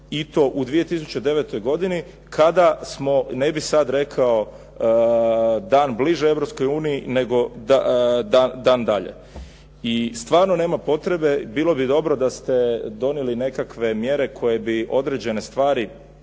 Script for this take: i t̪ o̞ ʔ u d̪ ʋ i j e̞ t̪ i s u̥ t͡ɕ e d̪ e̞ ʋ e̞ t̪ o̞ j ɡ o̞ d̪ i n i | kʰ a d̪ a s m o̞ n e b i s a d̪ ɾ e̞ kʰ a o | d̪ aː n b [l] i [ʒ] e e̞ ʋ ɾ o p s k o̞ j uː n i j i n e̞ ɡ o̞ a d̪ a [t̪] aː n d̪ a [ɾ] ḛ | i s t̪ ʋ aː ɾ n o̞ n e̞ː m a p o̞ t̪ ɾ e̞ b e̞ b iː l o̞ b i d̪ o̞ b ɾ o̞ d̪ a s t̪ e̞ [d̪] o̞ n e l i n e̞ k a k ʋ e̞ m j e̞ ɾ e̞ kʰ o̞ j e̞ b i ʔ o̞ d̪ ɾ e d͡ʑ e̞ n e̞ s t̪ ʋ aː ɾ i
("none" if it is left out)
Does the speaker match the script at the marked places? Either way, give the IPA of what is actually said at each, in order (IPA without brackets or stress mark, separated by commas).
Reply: l, ʒ, d̪, ʎ, d̪